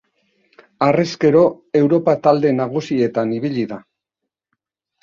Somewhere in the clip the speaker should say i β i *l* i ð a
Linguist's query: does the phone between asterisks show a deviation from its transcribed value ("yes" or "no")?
yes